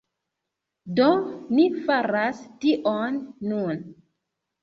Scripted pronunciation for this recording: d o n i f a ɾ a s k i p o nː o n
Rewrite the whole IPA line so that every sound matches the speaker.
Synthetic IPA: d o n i f a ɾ a s t i ʔ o nː u n